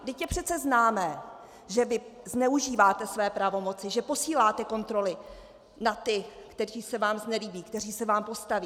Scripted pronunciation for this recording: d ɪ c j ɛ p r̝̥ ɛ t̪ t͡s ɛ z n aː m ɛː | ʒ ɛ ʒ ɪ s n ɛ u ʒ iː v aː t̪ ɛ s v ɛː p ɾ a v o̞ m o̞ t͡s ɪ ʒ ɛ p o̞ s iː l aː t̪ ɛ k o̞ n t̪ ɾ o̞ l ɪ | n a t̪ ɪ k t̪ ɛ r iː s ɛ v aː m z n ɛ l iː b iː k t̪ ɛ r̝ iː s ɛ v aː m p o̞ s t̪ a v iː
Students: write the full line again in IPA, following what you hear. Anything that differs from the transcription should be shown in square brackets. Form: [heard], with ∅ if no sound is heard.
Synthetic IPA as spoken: d ɪ c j ɛ p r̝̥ ɛ t̪ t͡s ɛ z n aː m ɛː | ʒ ɛ [v] ɪ [z] n ɛ u ʒ iː v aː t̪ ɛ s v ɛː p ɾ a v o̞ m o̞ t͡s ɪ ʒ ɛ p o̞ s iː l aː t̪ ɛ k o̞ n t̪ ɾ o̞ l ɪ | n a t̪ ɪ k t̪ ɛ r iː s ɛ v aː m z n ɛ l iː b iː k t̪ ɛ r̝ iː s ɛ v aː m p o̞ s t̪ a v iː